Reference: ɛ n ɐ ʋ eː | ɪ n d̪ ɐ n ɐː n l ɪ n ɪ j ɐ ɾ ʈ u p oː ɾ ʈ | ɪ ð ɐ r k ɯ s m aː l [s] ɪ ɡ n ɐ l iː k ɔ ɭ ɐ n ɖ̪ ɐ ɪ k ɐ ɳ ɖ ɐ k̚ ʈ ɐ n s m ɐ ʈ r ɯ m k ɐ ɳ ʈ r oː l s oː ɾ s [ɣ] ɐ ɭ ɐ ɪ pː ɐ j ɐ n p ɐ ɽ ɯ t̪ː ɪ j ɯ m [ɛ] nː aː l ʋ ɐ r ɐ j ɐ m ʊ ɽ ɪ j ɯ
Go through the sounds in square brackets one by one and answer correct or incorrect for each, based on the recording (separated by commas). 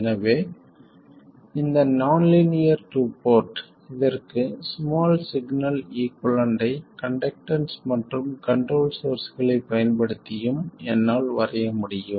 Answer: correct, correct, correct